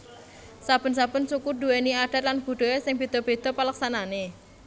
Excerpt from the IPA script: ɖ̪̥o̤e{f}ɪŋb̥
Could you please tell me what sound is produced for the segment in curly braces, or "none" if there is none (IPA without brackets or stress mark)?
s